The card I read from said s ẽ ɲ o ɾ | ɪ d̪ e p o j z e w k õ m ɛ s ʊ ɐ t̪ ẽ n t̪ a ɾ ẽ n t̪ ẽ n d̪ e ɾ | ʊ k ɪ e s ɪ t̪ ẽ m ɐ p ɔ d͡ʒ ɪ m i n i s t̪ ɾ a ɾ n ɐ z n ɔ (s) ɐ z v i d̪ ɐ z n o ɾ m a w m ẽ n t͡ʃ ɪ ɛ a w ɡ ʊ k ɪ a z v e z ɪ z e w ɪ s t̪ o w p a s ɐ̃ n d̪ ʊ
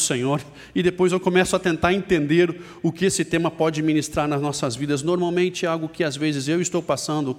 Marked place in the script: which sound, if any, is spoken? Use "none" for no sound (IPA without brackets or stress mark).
s